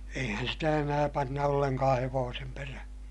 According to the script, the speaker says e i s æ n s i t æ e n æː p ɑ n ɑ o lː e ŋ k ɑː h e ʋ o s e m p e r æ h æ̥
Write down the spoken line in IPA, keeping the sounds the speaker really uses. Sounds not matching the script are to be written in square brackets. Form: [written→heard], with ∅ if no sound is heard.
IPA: e i [s→h] æ n s i t æ e n æː p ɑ [n→nː] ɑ o lː e ŋ k ɑː h e ʋ [o→oː] s e m p e r æ h æ̥

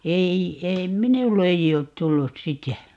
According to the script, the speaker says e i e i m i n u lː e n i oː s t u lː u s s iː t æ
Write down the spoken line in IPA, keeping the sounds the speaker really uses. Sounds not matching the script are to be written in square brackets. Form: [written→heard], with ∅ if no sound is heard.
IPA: e i e i m i n u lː e [n→∅] i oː [s→t] t u lː u s s [iː→i] t æ

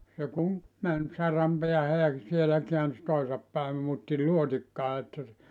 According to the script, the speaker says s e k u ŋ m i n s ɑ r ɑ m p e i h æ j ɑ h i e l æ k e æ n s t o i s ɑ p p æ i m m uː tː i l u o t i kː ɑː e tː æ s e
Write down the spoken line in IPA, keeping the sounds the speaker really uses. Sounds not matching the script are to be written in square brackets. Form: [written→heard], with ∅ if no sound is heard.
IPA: s e k u ŋ m [i→æ] n s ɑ r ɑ m p e [i→æ] h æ j ɑ [h→s] i e l æ k e æ n s t o i s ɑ p p æ i m m uː tː i l u o t i kː ɑː e tː æ s e

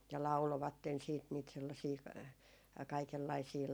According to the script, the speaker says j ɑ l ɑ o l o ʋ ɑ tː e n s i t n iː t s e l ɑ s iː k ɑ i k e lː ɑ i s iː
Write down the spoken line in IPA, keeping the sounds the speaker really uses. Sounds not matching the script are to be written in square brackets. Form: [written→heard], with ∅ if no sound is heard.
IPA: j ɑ l ɑ [o→u] l o ʋ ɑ tː e n s [i→iː] t n iː t s e [l→lː] ɑ s iː k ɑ i k e lː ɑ i s iː

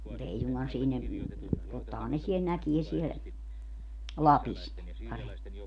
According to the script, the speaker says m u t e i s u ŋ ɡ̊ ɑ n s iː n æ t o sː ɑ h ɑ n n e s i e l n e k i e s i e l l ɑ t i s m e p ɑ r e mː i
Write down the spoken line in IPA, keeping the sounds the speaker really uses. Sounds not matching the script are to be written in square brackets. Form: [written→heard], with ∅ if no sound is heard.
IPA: m u t e i s u ŋ ɡ̊ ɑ n s iː n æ t o [sː→tː] ɑ h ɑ n n e s i e l n [e→æ] k i e s i e l l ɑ [t→p] i s [m→n] e p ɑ r e mː i

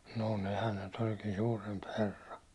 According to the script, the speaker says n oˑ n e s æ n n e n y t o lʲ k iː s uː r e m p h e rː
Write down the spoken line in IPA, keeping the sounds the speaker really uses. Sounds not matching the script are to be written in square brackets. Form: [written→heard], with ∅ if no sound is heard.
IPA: n oˑ n e [s→h] æ n n e n y t o lʲ k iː s uː r e m p h e rː

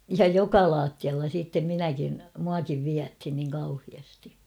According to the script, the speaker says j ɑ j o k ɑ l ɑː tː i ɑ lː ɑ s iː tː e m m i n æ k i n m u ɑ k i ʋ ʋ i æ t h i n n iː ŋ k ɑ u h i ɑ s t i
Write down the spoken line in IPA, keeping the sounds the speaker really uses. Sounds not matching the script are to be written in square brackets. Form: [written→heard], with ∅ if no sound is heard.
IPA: j ɑ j o k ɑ l ɑː tː i ɑ lː ɑ s iː tː e m m i n æ k i n m u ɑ k i ʋ ʋ i æ t h i n n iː ŋ k ɑ u h i ɑ s t i

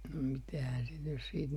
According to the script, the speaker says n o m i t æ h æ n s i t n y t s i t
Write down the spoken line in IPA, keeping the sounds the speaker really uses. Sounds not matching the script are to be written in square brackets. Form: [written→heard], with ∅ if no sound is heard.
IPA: n o m i t æ h æ n s i t n y [t→s] s [i→iː] t

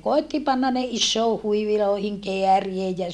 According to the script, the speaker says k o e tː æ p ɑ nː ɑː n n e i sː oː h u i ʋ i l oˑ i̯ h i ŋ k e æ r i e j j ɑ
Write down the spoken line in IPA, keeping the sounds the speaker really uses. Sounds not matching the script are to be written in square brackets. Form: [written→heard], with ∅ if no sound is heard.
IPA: k o e tː [æ→i] p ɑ nː [ɑː→ɑ] n n e i sː oː h u i ʋ i l oˑ i̯ h i ŋ k e æ r i e j j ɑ

